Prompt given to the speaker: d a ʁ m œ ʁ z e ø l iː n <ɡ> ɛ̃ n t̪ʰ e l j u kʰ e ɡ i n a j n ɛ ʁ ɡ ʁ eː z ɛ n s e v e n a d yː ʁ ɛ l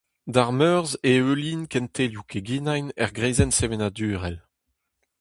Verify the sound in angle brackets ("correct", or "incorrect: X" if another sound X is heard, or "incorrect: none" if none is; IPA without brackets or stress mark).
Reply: incorrect: k